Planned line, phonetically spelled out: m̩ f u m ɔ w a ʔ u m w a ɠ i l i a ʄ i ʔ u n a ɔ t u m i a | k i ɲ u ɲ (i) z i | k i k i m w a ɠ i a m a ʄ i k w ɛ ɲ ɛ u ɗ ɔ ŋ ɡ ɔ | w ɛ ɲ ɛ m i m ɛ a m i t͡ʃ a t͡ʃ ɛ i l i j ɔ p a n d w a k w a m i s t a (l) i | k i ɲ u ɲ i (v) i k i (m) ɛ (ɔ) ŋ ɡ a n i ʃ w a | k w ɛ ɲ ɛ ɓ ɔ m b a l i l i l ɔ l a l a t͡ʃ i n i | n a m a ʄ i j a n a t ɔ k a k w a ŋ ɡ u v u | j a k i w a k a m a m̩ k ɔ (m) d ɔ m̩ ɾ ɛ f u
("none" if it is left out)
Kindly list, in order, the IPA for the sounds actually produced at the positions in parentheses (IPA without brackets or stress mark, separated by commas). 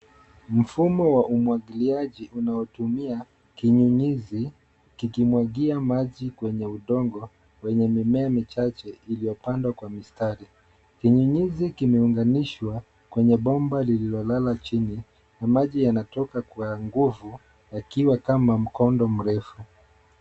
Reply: i, ɾ, z, m, u, n